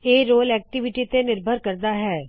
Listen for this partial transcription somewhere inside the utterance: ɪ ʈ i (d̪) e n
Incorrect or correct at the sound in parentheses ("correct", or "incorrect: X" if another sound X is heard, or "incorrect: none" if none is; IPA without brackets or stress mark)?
incorrect: t̪